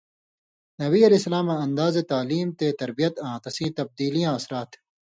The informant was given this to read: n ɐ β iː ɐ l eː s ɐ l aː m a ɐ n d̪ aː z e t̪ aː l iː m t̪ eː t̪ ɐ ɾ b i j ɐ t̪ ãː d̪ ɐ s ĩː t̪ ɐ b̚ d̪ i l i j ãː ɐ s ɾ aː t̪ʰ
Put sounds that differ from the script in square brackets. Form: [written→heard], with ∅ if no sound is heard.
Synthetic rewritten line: n ɐ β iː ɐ l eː s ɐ l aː m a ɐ n d̪ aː z e t̪ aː l iː m t̪ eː t̪ ɐ ɾ b i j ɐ t̪ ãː [d̪→t̪] ɐ s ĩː t̪ ɐ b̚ d̪ [i→iː] l i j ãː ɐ s ɾ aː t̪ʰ